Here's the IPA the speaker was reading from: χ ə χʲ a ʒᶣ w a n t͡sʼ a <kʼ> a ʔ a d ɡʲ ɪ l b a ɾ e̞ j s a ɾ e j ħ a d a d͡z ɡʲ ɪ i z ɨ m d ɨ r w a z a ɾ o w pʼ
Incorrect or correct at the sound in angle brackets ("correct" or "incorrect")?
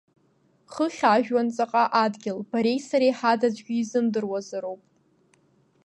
incorrect